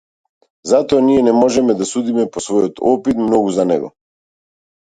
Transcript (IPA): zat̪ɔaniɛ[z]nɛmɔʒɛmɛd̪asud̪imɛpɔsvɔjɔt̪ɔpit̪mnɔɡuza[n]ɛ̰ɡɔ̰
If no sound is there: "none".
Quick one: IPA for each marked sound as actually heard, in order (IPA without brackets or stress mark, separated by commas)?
none, n